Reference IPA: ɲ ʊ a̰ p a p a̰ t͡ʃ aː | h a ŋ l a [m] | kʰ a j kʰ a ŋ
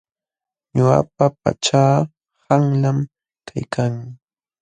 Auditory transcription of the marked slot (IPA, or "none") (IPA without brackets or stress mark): m